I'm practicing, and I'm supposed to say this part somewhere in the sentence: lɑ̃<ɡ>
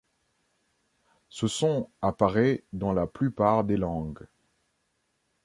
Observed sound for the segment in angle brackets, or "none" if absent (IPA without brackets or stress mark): ɡ